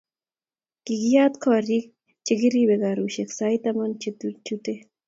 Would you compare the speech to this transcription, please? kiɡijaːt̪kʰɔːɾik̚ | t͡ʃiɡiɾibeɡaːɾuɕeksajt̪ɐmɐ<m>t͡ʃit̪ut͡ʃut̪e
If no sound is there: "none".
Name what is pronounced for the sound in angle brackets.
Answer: n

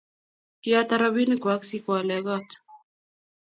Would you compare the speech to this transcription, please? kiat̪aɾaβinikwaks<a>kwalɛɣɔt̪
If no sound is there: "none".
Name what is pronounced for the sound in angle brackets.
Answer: i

